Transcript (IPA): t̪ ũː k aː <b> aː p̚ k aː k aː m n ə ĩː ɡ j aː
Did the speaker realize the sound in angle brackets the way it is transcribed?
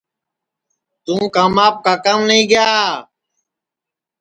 no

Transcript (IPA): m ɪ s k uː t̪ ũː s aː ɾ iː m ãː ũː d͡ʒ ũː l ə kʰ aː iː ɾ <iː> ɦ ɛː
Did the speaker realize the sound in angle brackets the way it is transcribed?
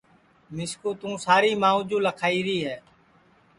yes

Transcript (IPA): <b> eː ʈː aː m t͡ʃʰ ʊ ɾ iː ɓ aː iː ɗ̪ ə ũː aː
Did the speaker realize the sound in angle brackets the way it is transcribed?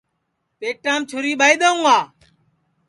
no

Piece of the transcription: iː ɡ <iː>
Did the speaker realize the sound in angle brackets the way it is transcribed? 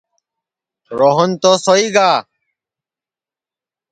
no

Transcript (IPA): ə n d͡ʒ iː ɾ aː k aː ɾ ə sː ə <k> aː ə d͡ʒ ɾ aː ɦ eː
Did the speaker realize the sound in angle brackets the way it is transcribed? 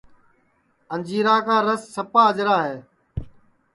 no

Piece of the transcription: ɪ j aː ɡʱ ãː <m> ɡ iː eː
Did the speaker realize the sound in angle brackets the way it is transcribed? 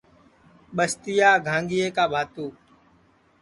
no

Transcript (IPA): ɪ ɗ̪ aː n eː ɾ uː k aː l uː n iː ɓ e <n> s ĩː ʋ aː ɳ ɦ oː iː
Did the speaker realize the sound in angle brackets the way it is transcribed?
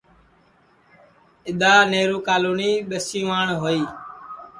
no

